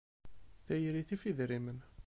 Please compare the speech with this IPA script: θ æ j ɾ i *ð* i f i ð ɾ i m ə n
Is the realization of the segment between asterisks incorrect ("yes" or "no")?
yes